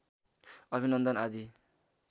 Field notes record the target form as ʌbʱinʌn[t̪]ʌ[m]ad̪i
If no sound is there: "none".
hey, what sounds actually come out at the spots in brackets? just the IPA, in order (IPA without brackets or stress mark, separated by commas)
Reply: d̪, n